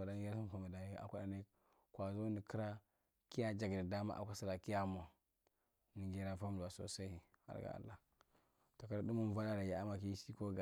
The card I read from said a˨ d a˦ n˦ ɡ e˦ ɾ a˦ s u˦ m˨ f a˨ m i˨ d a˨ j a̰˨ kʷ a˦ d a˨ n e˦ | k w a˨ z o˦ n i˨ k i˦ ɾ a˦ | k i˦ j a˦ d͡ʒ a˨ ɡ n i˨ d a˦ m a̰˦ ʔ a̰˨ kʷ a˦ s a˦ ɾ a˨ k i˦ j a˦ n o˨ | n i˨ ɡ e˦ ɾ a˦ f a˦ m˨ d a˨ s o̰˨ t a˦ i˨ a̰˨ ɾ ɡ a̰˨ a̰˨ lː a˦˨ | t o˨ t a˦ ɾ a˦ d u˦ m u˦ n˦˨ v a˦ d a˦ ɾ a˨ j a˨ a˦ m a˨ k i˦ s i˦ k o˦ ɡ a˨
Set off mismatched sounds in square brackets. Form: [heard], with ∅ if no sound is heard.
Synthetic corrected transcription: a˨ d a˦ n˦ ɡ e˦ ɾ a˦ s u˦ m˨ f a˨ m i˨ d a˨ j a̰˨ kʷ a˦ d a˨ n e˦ | k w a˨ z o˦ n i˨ k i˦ ɾ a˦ | k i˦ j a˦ d͡ʒ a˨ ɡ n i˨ d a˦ m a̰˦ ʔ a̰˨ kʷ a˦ s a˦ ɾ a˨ k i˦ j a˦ [m] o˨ | n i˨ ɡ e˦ ɾ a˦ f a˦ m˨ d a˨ s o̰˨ [s] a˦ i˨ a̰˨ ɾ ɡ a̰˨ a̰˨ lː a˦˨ | t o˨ [k] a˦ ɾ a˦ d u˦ m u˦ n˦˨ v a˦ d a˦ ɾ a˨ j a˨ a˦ m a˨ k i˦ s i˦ k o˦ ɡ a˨

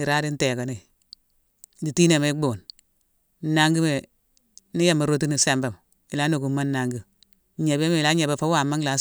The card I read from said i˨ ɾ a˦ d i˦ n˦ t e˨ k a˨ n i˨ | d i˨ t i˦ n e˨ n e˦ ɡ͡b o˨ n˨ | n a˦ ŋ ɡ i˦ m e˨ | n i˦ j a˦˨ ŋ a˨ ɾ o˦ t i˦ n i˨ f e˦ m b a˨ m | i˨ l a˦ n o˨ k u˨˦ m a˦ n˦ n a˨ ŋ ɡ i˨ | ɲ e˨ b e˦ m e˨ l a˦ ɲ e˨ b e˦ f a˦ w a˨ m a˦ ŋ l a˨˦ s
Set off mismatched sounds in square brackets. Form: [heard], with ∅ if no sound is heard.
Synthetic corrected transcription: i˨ ɾ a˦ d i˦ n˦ t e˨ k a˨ n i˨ | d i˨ t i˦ n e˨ [m] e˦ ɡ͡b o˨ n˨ | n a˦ ŋ ɡ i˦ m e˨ | n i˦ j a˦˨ [m] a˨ ɾ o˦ t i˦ n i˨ [s] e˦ m b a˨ m | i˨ l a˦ n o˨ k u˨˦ m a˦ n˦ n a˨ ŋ ɡ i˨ | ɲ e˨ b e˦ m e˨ l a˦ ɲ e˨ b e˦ f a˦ w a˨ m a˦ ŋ l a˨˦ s

